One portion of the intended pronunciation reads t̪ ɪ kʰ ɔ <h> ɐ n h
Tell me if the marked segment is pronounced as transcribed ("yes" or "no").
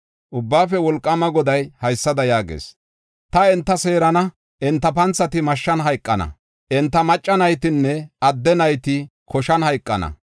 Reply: no